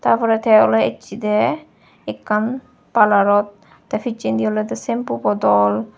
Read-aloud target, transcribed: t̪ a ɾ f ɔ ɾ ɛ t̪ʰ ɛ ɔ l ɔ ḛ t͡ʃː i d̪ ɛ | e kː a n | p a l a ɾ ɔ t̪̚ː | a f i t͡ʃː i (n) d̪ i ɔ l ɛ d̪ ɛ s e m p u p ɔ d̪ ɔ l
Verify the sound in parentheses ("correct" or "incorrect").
correct